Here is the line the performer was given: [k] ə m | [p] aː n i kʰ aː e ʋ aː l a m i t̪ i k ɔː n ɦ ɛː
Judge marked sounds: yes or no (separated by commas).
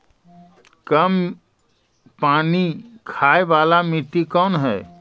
yes, yes